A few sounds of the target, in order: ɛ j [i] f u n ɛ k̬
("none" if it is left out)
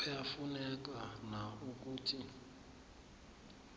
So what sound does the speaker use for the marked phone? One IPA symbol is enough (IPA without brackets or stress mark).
a